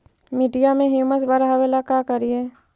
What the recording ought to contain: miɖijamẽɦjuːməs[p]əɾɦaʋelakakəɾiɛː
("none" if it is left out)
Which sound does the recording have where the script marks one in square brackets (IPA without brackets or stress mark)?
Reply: b